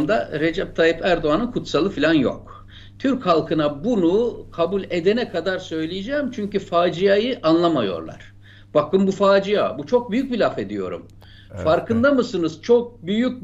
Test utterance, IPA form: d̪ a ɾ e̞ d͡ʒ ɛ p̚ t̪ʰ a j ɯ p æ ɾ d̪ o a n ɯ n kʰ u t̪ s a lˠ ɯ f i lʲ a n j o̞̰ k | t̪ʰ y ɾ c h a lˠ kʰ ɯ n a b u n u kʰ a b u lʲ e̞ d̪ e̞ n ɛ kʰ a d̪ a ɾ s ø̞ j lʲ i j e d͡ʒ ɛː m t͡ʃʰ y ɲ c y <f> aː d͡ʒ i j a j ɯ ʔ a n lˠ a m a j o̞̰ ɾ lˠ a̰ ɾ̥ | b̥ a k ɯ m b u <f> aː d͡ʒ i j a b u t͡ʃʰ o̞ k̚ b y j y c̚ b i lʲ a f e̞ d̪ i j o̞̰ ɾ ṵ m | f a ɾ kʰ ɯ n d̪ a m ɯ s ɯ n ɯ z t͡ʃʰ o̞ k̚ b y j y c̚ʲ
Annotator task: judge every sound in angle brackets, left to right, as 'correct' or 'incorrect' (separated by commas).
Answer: correct, correct